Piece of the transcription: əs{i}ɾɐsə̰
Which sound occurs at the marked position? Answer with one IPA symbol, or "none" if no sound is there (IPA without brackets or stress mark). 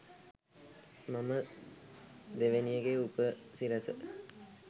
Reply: i